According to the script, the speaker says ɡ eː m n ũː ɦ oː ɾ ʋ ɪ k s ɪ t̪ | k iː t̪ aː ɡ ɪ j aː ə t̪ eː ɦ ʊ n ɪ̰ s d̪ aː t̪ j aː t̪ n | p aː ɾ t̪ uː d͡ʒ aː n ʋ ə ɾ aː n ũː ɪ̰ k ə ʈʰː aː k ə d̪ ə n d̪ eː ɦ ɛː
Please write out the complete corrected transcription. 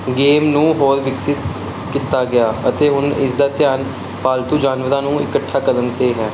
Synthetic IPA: ɡ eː m n ũː ɦ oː ɾ ʋ ɪ k s ɪ t̪ | k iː t̪ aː ɡ ɪ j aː ə t̪ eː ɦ ʊ n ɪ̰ s d̪ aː t̪ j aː n | p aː l t̪ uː d͡ʒ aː n ʋ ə ɾ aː n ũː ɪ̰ k ə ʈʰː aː k ə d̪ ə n t̪ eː ɦ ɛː